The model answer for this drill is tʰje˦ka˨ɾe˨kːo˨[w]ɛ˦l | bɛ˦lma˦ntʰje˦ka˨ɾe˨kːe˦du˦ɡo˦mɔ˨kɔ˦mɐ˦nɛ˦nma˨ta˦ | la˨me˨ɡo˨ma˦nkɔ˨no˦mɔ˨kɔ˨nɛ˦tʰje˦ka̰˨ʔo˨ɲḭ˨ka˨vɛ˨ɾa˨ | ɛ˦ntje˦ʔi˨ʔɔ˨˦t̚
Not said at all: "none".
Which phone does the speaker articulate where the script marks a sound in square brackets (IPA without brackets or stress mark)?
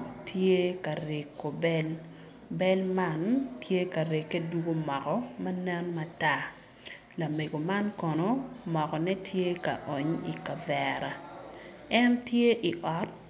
b